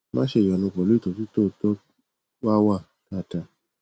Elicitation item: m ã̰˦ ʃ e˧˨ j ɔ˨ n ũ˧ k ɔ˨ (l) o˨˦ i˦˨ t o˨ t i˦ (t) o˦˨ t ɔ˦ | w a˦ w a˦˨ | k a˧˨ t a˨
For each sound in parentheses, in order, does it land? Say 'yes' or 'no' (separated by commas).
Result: yes, yes